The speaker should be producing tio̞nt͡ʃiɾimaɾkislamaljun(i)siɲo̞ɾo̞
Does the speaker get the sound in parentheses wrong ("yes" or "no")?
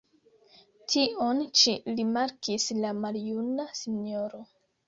yes